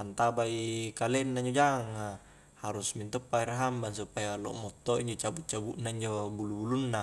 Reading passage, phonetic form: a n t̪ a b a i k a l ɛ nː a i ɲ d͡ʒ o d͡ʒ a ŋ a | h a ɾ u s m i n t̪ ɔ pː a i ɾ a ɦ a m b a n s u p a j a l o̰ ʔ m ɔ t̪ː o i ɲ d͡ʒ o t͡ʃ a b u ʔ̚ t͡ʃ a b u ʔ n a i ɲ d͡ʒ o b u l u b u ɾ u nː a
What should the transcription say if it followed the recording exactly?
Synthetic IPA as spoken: a n t̪ a b a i k a l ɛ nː a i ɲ d͡ʒ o d͡ʒ a ŋ a | h a ɾ u s m i n t̪ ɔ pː a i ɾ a ɦ a m b a n s u p a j a l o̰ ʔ m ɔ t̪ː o i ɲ d͡ʒ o t͡ʃ a b u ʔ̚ t͡ʃ a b u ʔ n a i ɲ d͡ʒ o b u l u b u l u nː a